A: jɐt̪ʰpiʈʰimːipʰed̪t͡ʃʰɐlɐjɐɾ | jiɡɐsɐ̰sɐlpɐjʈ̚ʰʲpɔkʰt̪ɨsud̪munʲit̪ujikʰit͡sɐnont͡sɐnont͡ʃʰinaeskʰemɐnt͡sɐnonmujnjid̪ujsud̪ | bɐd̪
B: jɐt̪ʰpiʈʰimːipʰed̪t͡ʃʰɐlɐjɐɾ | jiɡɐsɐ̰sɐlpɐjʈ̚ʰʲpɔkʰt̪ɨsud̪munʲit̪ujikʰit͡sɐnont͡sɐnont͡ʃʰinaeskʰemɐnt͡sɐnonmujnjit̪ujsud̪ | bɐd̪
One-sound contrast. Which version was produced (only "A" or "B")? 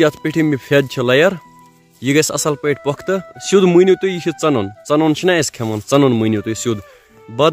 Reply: B